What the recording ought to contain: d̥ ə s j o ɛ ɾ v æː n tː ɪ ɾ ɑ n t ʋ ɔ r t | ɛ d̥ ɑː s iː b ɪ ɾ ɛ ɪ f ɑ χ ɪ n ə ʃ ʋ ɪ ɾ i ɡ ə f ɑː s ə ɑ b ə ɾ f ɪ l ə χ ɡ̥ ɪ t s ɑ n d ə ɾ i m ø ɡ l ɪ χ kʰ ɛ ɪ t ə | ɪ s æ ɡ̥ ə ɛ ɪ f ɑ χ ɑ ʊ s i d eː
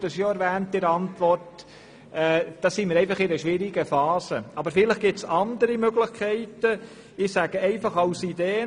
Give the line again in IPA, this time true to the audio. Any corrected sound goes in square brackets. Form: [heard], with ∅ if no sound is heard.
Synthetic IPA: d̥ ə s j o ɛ ɾ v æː n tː ɪ ɾ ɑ n t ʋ ɔ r t | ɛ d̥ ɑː s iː [m] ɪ ɾ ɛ ɪ f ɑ χ ɪ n ə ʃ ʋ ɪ ɾ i ɡ ə f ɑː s ə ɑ b ə ɾ f ɪ l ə χ ɡ̥ ɪ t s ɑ n d ə ɾ i m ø ɡ l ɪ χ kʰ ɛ ɪ t ə | ɪ s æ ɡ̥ ə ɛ ɪ f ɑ χ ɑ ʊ s i d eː